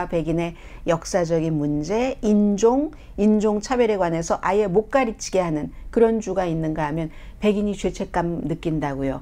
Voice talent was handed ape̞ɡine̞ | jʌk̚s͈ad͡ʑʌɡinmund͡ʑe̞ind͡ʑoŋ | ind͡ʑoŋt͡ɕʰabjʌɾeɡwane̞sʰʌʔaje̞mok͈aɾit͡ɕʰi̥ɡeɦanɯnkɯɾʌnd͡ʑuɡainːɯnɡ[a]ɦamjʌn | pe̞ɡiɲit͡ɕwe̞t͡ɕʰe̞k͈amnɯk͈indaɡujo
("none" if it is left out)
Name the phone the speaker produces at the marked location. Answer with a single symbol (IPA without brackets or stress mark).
a